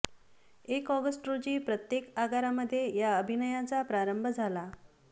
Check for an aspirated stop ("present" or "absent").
absent